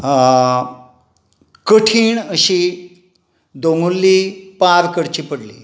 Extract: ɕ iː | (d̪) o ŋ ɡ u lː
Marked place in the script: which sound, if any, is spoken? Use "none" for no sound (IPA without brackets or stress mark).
d̪